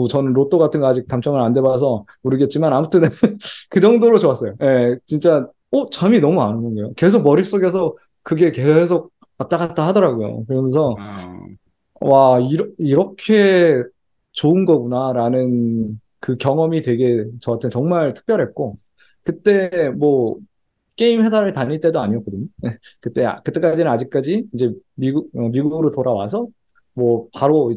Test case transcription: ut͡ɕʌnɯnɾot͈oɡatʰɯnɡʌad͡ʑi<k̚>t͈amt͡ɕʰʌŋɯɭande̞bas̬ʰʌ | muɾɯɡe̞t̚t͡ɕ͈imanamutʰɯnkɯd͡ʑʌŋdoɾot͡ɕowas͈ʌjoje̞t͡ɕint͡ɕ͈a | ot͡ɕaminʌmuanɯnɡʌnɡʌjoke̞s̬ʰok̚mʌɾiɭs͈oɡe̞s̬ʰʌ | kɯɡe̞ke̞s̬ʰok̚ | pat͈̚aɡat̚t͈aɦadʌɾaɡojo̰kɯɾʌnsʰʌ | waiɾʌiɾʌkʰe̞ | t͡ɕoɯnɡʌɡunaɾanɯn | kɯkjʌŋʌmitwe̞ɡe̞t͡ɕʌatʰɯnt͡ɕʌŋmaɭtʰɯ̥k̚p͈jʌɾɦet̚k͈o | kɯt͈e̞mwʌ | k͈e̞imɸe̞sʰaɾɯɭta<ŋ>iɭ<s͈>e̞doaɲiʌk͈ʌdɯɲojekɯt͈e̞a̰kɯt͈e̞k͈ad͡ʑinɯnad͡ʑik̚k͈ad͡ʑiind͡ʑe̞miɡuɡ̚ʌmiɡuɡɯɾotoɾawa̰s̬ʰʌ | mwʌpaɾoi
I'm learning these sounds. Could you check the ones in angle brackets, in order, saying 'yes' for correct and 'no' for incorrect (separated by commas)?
yes, no, no